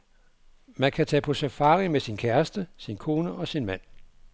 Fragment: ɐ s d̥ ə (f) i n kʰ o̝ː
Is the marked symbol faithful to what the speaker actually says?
no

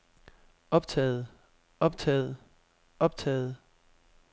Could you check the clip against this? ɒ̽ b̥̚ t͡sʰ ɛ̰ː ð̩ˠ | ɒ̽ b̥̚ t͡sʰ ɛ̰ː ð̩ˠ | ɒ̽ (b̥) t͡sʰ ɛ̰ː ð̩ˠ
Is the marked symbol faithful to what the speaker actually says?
yes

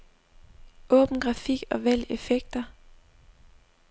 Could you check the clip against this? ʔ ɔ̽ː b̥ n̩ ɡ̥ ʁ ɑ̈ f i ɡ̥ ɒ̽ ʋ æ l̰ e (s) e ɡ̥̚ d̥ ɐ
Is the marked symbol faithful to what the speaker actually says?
no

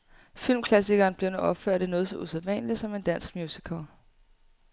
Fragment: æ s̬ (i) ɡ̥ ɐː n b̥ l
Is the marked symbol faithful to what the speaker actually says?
yes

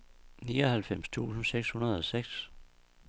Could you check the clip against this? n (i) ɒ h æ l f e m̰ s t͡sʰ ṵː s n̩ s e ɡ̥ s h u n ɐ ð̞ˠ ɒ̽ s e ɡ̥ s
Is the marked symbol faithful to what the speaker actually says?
no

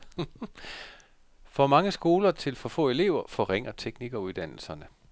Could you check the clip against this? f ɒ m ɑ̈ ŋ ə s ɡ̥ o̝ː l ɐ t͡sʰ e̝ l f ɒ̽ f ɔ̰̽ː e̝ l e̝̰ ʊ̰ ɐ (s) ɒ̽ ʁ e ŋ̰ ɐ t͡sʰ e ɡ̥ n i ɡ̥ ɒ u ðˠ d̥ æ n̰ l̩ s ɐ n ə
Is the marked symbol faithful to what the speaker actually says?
no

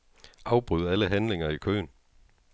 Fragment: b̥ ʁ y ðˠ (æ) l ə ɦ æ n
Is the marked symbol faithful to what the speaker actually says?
yes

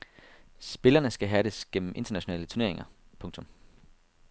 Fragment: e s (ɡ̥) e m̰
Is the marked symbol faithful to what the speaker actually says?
yes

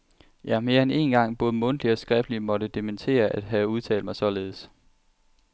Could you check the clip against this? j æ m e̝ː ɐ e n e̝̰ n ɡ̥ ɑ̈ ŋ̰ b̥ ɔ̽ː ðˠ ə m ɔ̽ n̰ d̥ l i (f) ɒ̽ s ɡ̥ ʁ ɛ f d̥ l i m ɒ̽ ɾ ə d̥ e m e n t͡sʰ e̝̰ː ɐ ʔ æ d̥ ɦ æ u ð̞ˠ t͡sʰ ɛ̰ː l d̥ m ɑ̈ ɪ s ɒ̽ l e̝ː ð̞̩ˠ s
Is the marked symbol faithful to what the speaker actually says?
no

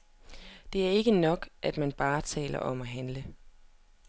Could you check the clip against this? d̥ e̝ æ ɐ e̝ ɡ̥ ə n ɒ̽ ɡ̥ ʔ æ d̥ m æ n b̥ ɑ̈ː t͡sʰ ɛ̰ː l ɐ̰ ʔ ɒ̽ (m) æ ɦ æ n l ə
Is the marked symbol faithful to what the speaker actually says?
yes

